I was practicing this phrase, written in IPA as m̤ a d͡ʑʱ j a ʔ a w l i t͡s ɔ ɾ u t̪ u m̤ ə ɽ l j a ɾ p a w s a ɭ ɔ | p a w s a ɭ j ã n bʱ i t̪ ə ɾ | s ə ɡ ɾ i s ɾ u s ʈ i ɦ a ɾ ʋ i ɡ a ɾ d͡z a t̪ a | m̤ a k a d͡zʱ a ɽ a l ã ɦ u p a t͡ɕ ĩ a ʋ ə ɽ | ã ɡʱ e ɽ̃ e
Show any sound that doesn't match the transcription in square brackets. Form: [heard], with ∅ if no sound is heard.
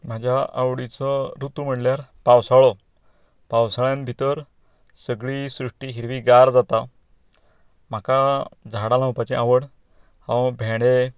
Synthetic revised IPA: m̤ a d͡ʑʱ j a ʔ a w [ɽ] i t͡s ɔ ɾ u t̪ u m̤ ə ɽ l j a ɾ p a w s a ɭ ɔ | p a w s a ɭ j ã n bʱ i t̪ ə ɾ | s ə ɡ [ɭ] i s ɾ u [ʂ] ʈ i ɦ [i] ɾ ʋ i ɡ a ɾ d͡z a t̪ a | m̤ a k a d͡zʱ a ɽ a l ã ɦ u p a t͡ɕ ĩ a ʋ ə ɽ | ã [bʱ] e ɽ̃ e